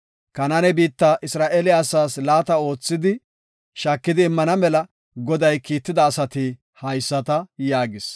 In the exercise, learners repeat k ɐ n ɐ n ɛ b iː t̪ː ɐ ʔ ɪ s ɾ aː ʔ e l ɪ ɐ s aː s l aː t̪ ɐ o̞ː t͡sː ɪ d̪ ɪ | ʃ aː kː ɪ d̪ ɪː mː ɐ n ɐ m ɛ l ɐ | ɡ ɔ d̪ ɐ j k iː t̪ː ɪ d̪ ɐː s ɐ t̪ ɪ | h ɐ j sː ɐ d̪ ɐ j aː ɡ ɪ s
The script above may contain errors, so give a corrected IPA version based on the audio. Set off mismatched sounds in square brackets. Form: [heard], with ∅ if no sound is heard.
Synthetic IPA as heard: k ɐ n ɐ n ɛ b iː t̪ː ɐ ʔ ɪ s ɾ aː ʔ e l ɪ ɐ s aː s l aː t̪ ɐ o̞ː t͡sː ɪ d̪ ɪ | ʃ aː kː ɪ d̪ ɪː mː ɐ n ɐ m ɛ l ɐ | ɡ ɔ d̪ ɐ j k iː t̪ː ɪ d̪ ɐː s ɐ t̪ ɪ | h ɐ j sː ɐ [t̪] ɐ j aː ɡ ɪ s